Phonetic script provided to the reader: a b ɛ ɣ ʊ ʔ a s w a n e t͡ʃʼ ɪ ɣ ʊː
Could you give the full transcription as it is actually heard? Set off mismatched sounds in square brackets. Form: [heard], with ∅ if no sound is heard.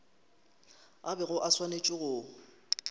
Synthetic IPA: a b ɛ ɣ ʊ ʔ a s w a n e t͡ʃʼ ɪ ɣ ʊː